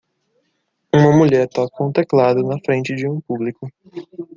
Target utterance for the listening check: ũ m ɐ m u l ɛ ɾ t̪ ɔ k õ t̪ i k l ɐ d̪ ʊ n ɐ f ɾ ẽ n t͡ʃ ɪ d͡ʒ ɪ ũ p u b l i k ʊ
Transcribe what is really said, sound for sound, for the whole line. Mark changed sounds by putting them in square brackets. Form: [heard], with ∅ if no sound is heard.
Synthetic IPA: ũ m ɐ m u [ʎ] ɛ ɾ t̪ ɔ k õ t̪ [e] k l [a] d̪ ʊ n ɐ f ɾ ẽ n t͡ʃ ɪ d͡ʒ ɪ ũ p u b l i k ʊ

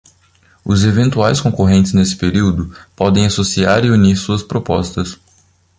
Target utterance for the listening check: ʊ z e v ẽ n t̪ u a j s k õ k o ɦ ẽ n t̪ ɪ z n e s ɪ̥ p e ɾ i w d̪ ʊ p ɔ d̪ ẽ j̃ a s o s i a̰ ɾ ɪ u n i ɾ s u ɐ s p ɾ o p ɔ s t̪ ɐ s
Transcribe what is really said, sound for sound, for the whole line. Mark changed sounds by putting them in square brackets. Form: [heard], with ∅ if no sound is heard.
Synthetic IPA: ʊ z e v ẽ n t̪ u a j s k õ k o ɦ ẽ n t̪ ɪ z n e s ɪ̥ p e ɾ i w d̪ ʊ p ɔ d̪ ẽ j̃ a s o s i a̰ ɾ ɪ u n i ɾ s u ɐ s p ɾ o p ɔ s t̪ ɐ s

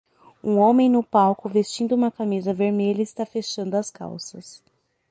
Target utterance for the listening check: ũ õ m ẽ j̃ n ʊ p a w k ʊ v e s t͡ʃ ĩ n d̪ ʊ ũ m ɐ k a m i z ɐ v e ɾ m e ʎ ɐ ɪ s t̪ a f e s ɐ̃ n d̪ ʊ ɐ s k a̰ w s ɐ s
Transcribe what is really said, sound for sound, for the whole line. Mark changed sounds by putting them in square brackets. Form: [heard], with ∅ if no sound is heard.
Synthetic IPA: ũ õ m ẽ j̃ n ʊ p a w k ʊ v e s t͡ʃ ĩ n d̪ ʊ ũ m ɐ k a m i z ɐ v e ɾ m e ʎ ɐ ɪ s t̪ a f e [ʃ] ɐ̃ n d̪ ʊ ɐ s k a̰ w s ɐ s

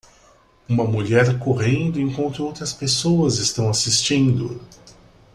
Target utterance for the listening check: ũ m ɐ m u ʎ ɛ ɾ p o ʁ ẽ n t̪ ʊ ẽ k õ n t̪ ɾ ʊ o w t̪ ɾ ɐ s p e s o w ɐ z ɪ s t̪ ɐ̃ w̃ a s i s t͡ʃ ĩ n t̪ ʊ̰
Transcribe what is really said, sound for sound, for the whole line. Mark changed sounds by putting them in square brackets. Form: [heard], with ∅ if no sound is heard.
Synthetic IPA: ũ m ɐ m u ʎ ɛ ɾ [k] o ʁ ẽ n [d̪] ʊ ẽ k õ n t̪ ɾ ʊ o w t̪ ɾ ɐ s p e s o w ɐ z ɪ s t̪ ɐ̃ w̃ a s i s t͡ʃ ĩ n [d̪] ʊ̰

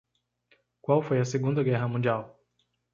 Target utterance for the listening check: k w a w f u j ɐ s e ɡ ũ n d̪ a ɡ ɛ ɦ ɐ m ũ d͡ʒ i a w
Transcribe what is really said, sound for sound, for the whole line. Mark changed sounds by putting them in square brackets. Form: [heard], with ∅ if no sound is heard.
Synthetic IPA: k w a w f [o] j ɐ s e ɡ ũ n d̪ [ɐ] ɡ ɛ ɦ ɐ m ũ d͡ʒ i a w

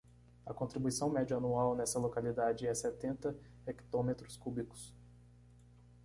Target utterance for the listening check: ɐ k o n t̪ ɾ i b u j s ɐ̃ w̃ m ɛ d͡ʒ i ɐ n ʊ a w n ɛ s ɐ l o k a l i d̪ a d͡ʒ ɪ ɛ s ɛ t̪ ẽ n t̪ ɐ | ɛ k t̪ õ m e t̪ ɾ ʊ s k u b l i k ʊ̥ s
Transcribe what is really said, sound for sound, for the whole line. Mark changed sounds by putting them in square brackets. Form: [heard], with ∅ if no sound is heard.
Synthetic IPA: ɐ k [õ] n t̪ ɾ i b u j s ɐ̃ w̃ m ɛ d͡ʒ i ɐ n [u] a w n ɛ s ɐ l o k a l i d̪ a d͡ʒ ɪ ɛ s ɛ t̪ ẽ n t̪ ɐ | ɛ k t̪ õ m e t̪ ɾ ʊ s k u b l i k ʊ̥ s

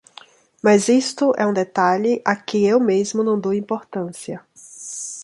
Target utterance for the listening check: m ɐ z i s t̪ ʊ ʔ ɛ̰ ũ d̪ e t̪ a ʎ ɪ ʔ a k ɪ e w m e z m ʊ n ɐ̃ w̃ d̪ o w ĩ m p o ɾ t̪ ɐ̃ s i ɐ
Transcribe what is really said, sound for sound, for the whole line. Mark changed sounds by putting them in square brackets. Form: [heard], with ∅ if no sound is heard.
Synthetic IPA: m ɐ z i s t̪ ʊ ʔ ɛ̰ ũ d̪ e t̪ a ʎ ɪ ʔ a k ɪ e w m e z m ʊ n ɐ̃ w̃ d̪ o w ĩ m p o ɾ t̪ ɐ̃ s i ɐ

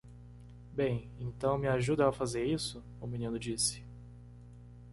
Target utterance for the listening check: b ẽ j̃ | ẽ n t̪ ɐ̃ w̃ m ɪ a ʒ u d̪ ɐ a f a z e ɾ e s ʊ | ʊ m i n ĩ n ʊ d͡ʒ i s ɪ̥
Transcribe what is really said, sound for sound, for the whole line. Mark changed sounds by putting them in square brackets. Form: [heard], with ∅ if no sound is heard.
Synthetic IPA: b ẽ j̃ | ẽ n t̪ ɐ̃ w̃ m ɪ a ʒ u d̪ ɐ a f a z e ɾ [i] s ʊ | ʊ m i n ĩ n ʊ d͡ʒ i s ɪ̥

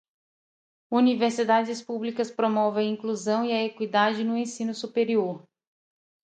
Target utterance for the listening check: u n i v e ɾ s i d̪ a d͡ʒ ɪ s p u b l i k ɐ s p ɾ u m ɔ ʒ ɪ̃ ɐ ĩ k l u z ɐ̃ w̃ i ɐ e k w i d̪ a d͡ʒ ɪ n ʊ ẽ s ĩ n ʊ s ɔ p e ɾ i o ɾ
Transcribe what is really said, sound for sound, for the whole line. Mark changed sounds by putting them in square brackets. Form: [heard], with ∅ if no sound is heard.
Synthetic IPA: u n i v e ɾ s i d̪ a d͡ʒ ɪ s p u b l i k ɐ s p ɾ [o] m ɔ [v] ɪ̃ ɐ ĩ k l u z ɐ̃ w̃ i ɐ e k w i d̪ a d͡ʒ ɪ n ʊ ẽ s ĩ n ʊ s [u] p e ɾ i o ɾ

